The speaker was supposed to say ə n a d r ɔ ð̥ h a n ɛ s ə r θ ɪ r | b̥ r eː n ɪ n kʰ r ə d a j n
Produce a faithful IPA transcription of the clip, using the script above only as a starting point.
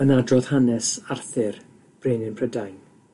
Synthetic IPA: ə n a d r ɔ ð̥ h a n ɛ s a r θ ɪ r | b̥ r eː n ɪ n pʰ r ə d a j n